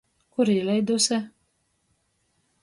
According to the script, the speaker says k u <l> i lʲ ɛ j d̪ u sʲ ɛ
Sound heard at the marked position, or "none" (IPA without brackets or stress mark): ɾ